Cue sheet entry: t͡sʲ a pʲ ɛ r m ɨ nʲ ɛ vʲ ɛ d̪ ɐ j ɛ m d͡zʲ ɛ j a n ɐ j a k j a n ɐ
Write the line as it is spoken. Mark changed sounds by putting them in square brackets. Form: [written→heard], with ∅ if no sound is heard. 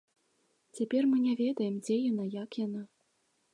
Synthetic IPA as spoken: t͡sʲ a pʲ ɛ r m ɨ nʲ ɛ vʲ ɛ d̪ ɐ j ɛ m d͡zʲ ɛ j a n [ɐ→a] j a k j a n [ɐ→a]